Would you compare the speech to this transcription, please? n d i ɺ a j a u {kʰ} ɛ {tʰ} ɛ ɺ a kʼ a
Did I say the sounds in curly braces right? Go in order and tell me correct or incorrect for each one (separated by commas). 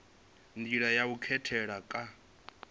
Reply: correct, correct